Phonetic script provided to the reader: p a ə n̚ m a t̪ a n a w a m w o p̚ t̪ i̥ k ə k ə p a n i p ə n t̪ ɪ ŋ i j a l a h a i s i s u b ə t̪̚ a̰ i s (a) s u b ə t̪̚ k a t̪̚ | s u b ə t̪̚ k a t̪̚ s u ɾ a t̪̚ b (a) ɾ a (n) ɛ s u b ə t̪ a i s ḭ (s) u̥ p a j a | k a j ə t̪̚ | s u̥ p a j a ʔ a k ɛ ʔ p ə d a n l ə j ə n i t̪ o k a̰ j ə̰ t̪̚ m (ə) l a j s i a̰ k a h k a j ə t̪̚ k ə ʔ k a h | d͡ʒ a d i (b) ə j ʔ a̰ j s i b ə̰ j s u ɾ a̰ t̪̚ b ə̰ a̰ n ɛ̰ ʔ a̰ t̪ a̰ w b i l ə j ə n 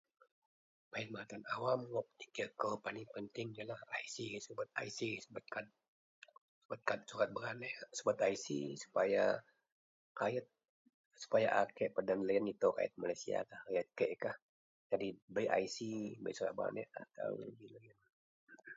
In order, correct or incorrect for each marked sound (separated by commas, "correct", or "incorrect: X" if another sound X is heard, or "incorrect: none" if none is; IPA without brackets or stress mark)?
incorrect: i, incorrect: ə, correct, correct, incorrect: a, correct